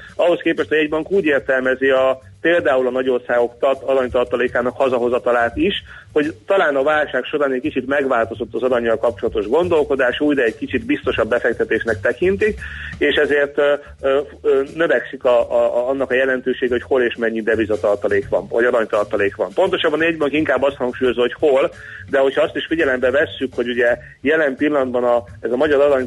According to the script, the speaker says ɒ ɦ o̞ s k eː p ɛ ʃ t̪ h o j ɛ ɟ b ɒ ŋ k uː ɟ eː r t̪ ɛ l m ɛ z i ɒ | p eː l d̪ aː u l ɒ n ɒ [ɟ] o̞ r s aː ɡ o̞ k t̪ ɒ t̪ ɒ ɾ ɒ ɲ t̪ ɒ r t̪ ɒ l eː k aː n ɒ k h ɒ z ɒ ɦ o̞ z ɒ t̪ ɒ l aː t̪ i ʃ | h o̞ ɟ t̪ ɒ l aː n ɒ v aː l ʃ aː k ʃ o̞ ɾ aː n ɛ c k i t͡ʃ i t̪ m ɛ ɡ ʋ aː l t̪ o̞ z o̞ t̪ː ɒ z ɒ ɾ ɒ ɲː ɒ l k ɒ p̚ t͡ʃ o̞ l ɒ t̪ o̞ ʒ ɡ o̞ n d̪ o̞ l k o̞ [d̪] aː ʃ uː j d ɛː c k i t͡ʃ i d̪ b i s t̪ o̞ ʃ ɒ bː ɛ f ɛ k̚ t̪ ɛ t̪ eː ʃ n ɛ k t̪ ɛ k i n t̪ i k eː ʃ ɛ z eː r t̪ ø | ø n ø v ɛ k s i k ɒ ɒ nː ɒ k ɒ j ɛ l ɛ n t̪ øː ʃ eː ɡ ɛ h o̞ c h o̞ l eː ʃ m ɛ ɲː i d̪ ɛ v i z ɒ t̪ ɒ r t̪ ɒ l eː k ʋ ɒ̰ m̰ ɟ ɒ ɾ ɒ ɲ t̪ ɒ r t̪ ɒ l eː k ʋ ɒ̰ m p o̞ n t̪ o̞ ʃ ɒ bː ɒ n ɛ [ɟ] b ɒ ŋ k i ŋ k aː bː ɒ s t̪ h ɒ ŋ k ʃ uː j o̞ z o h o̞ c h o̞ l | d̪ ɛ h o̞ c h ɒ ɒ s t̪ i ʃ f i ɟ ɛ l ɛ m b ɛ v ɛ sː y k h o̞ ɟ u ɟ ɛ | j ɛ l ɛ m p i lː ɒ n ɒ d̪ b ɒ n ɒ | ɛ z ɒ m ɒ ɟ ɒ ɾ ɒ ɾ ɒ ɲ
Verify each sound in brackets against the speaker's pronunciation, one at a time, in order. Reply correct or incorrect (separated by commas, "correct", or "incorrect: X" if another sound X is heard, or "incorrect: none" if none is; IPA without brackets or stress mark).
correct, correct, correct